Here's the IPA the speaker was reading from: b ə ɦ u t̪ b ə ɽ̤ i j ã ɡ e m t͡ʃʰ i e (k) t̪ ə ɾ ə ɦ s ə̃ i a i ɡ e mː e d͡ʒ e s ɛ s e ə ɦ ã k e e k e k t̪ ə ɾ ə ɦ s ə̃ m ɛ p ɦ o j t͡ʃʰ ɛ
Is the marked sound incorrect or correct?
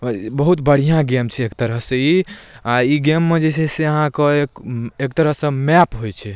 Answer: correct